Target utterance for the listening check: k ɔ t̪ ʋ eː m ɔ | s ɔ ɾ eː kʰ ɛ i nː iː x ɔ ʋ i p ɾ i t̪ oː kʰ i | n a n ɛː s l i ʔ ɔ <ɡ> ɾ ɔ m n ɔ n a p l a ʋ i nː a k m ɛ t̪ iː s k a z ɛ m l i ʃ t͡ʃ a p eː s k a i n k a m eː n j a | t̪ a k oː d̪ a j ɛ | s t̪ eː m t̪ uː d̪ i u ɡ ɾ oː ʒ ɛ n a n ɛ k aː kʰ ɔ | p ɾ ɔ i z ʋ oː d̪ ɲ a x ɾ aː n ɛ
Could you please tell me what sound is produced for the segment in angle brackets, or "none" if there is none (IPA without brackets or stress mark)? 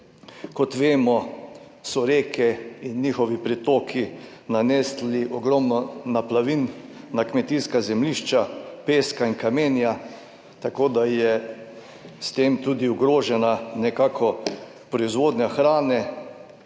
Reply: ɡ